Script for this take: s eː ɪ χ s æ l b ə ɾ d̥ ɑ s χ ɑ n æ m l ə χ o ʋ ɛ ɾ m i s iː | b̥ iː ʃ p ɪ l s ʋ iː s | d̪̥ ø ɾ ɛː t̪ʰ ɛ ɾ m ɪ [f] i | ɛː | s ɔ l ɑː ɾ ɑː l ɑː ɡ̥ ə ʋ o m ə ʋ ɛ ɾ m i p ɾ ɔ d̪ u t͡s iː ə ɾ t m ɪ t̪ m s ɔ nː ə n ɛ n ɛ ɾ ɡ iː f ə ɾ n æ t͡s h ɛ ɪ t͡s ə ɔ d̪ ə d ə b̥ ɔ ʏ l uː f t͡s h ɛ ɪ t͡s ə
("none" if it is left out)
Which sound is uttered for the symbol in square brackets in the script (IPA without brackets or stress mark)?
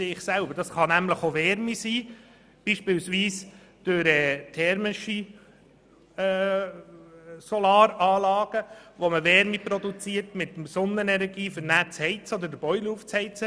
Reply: ʃ